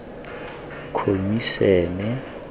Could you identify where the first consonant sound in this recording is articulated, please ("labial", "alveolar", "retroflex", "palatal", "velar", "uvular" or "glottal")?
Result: velar